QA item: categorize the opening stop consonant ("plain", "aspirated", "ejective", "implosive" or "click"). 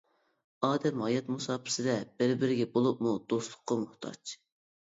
plain